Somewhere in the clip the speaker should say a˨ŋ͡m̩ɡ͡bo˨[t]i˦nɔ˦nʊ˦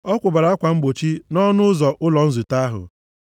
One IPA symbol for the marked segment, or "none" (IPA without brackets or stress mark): t͡ʃ